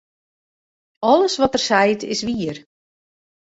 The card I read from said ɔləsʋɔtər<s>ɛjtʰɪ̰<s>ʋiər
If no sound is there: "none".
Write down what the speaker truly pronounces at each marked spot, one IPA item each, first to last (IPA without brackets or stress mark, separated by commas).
s, s